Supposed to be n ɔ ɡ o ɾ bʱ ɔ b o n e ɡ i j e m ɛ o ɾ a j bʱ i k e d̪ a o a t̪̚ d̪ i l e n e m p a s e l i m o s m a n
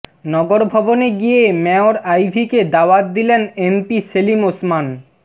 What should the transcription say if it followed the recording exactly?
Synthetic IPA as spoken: n ɔ ɡ o ɾ bʱ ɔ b o n e ɡ i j e m ɛ o ɾ a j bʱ i k e d̪ a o a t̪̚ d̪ i l e n e m p i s e l i m o s m a n